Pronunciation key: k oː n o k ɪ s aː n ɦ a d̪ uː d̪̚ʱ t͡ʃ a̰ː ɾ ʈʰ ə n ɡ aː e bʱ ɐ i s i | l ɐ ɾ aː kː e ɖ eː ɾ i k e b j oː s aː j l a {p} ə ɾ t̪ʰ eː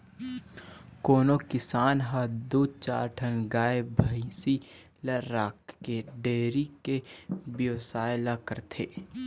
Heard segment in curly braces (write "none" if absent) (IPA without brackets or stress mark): k